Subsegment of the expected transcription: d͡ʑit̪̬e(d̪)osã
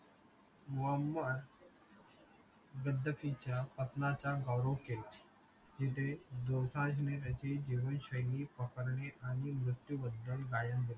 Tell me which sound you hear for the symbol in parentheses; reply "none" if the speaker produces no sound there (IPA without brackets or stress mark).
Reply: d̪